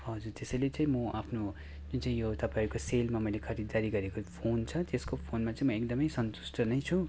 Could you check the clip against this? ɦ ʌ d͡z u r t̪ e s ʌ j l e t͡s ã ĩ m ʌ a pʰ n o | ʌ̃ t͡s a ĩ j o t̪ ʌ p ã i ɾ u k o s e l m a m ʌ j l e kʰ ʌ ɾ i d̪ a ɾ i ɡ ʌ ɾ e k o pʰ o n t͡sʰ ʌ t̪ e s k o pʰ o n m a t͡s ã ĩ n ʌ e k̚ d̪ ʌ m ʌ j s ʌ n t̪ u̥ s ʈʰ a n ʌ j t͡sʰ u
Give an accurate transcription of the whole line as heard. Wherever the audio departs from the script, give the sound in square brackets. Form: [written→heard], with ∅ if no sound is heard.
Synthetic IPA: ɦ ʌ d͡z u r t̪ e s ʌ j l e t͡s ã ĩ m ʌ a pʰ n o | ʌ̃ t͡s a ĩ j o t̪ ʌ p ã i ɾ u k o s e l m a m ʌ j l e kʰ ʌ ɾ i d̪ a ɾ i ɡ ʌ ɾ e k o pʰ o n t͡sʰ ʌ t̪ e s k o pʰ o n m a t͡s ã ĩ [n→m] ʌ e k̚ d̪ ʌ m ʌ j s ʌ n t̪ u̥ s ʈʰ [a→ʌ] n ʌ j t͡sʰ u